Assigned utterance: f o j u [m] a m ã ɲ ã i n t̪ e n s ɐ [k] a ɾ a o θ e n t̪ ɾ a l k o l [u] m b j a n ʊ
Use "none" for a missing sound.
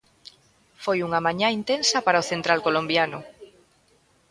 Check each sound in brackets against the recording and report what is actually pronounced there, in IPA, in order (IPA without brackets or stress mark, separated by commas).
ŋ, p, o